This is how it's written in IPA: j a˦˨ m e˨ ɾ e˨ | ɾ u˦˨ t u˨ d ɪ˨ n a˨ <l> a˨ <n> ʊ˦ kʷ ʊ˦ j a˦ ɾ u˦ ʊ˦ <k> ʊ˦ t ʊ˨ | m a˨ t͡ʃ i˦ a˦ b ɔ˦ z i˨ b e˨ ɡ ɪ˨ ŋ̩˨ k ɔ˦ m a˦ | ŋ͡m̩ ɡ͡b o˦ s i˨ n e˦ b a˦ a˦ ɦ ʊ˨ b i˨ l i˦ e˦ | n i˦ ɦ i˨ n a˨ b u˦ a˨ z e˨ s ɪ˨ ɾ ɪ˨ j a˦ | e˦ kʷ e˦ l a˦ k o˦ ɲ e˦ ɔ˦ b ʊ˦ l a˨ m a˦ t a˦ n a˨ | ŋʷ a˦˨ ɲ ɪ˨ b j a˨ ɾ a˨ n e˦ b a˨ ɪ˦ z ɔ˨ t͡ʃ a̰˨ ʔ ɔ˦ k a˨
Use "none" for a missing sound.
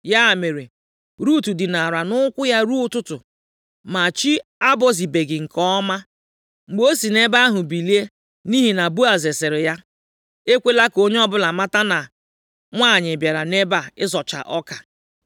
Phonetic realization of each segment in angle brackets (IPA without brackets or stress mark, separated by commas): ɾ, n, t